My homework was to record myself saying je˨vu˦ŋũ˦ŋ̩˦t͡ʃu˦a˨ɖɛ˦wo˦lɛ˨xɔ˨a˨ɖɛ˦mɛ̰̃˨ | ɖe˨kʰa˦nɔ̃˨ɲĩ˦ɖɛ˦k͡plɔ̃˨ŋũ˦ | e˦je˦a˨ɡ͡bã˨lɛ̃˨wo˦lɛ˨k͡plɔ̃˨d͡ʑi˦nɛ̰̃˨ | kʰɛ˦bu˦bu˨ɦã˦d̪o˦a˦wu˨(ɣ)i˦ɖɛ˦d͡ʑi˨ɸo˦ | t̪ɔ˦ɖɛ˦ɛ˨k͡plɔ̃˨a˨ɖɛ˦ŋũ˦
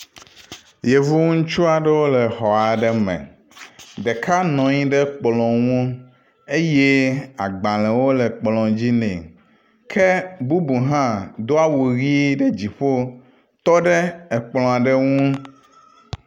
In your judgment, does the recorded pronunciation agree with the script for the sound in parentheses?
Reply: yes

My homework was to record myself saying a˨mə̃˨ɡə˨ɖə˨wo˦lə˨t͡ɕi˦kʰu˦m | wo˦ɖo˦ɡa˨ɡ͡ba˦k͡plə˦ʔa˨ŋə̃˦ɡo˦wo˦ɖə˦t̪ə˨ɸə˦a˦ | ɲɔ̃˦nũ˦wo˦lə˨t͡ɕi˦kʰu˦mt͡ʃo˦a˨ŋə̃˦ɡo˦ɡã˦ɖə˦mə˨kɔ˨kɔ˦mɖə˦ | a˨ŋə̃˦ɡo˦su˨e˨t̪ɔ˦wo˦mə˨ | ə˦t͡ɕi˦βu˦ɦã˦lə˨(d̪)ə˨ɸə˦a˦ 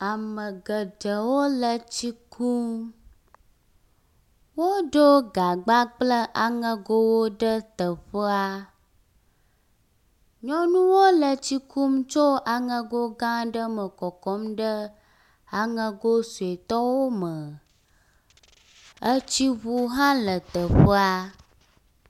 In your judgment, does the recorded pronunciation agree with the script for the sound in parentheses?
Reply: no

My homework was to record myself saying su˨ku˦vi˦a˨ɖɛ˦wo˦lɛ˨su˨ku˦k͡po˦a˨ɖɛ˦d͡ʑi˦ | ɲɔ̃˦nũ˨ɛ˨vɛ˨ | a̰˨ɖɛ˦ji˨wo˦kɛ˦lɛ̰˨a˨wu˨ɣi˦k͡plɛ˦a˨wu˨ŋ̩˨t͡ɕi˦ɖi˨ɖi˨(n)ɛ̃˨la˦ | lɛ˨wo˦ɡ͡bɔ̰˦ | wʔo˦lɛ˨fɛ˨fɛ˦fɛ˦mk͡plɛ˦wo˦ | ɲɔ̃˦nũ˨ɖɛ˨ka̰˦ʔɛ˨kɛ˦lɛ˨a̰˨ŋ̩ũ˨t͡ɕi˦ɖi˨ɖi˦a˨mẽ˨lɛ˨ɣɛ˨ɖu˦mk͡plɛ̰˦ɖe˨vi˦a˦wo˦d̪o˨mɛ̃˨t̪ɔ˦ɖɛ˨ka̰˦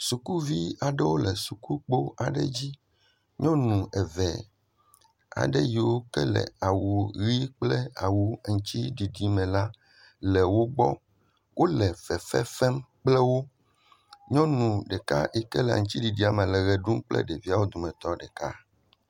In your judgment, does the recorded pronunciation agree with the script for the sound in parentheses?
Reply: no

